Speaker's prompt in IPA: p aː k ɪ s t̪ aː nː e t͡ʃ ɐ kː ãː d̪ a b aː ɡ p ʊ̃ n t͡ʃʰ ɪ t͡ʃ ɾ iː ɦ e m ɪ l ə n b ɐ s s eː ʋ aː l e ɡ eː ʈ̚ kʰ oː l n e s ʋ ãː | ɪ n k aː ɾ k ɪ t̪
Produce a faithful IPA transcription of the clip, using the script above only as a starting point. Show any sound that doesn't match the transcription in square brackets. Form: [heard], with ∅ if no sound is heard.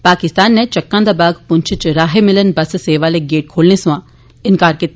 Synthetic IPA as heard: p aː k ɪ s t̪ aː nː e t͡ʃ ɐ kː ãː d̪ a b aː ɡ p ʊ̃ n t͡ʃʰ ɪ t͡ʃ ɾ [aː] ɦ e m ɪ l ə n b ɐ s s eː ʋ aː l e ɡ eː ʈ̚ kʰ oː l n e s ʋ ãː | ɪ n k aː ɾ k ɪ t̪